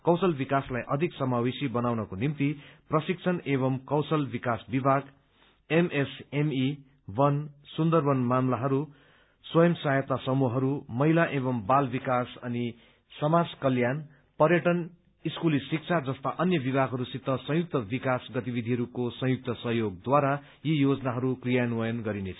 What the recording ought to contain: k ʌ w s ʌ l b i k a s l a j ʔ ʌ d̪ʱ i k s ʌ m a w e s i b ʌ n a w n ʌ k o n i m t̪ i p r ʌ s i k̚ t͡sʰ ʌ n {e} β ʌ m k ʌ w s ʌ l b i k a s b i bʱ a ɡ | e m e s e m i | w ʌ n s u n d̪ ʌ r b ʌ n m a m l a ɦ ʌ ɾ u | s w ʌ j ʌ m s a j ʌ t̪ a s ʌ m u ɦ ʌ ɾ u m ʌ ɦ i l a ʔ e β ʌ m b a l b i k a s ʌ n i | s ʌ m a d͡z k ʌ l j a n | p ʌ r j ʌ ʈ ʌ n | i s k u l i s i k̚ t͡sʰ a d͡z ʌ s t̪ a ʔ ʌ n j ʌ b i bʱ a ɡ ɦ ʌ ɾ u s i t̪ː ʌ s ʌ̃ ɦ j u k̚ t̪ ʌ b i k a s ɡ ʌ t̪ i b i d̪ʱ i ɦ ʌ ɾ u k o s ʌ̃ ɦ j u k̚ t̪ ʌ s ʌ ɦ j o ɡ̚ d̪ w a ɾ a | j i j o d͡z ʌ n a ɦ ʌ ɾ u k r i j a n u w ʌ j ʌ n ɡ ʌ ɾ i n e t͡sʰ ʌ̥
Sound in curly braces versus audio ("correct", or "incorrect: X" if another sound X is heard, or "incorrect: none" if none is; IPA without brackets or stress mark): correct